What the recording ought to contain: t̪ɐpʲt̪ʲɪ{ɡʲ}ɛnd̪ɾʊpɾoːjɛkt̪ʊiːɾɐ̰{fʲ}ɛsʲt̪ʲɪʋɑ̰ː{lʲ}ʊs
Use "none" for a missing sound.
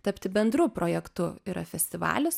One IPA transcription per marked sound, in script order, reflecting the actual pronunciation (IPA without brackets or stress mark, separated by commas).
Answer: bʲ, fʲ, lʲ